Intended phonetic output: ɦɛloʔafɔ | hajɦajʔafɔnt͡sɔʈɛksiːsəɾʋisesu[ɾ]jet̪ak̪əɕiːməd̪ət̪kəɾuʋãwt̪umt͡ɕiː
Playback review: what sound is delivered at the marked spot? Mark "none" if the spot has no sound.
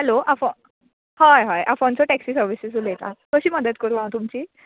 l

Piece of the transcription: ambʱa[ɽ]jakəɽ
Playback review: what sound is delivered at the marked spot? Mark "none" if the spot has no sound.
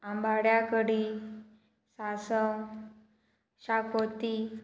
ɽ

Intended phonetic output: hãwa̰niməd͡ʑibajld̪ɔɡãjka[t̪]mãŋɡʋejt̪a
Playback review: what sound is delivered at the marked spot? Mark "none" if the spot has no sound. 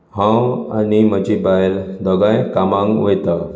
none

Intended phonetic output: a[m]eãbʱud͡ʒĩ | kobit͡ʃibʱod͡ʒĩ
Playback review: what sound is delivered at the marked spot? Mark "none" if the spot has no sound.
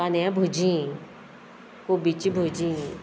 n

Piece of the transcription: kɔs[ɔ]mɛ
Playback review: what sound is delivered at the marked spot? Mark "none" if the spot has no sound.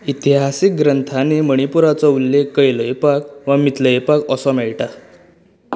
ɔ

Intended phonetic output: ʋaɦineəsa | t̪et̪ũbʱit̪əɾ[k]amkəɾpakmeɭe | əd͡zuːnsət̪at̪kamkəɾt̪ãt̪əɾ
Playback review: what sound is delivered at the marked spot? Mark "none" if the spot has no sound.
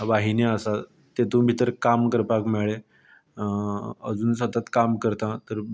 k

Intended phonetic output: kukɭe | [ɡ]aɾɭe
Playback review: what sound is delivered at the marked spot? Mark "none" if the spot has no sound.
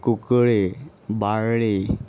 b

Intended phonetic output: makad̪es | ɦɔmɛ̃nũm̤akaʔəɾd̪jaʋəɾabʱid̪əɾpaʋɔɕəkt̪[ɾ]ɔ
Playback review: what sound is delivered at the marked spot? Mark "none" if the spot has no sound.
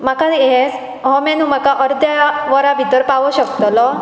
l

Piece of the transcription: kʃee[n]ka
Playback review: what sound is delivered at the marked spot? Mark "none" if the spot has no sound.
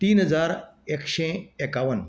none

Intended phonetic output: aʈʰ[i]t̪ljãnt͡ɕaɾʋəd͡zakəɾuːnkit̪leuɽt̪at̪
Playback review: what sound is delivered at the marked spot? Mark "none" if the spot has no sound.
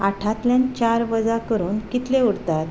a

